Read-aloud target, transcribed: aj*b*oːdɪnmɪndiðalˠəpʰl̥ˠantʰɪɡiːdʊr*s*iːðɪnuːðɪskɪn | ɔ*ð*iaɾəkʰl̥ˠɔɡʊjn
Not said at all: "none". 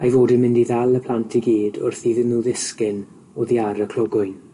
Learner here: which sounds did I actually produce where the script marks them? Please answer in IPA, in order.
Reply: v, θ, ð

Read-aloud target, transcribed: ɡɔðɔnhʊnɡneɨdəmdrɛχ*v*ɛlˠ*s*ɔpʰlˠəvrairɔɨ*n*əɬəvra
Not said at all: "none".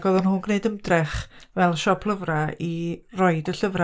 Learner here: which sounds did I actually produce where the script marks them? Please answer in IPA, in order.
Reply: v, ʃ, d

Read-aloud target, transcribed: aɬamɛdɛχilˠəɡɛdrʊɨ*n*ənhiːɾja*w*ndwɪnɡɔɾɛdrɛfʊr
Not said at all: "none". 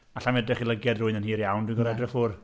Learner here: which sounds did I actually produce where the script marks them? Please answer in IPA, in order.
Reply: n, w

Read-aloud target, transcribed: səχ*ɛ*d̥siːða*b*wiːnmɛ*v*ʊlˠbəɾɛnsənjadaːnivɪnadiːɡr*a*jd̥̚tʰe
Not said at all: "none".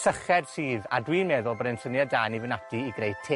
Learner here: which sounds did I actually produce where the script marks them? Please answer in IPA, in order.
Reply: ɛ, d, ð, e

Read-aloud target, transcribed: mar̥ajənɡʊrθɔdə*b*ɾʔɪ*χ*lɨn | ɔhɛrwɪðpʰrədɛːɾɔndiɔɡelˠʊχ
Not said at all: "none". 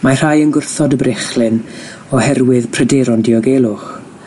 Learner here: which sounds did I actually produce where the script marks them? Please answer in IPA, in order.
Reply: b, χ

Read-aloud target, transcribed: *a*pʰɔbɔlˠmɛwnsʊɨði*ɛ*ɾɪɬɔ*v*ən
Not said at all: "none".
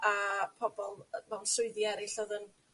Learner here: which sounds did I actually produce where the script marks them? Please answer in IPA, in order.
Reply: a, ɛ, ð

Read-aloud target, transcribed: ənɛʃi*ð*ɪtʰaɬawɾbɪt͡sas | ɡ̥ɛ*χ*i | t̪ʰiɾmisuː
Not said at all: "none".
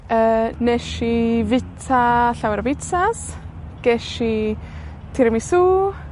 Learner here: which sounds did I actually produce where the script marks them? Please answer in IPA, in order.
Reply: v, ʃ

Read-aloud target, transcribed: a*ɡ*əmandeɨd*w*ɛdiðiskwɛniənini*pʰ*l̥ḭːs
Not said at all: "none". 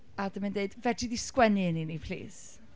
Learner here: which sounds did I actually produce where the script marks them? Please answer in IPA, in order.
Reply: d, v, pʰ

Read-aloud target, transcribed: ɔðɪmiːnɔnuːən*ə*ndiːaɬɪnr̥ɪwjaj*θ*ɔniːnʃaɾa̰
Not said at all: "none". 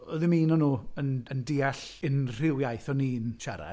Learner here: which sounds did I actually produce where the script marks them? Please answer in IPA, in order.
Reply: ə, θ

